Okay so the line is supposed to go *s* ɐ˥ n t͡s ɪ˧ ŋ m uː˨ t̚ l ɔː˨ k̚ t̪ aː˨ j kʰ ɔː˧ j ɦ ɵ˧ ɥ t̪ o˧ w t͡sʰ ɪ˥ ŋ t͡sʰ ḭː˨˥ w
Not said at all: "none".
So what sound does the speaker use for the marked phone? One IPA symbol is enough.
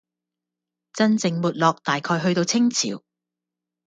t͡s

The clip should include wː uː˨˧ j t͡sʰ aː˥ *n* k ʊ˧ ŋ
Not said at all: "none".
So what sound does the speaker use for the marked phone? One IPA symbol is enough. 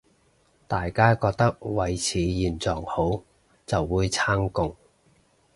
ŋ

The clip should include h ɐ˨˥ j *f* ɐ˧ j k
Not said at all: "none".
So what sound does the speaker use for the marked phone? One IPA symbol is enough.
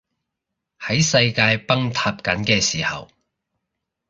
s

